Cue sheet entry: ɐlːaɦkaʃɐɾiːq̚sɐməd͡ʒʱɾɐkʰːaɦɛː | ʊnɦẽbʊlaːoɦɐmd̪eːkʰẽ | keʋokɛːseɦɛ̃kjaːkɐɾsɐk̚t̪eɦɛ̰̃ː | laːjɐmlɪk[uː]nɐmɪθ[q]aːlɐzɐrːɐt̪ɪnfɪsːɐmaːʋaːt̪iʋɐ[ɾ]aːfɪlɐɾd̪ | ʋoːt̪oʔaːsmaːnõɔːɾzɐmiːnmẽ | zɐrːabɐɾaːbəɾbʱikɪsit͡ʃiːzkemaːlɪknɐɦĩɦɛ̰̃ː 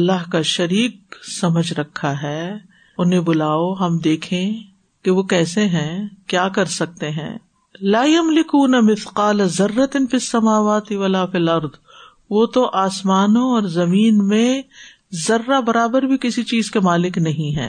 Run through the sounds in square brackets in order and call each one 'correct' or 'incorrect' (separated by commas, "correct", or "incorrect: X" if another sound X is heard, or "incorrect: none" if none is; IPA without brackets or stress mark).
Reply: correct, correct, incorrect: l